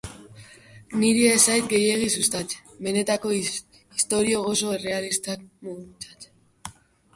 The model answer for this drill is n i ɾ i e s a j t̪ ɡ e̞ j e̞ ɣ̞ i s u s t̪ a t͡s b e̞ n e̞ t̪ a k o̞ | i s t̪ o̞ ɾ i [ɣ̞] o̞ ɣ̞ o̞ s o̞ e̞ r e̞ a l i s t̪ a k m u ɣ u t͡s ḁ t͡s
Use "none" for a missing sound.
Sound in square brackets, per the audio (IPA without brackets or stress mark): none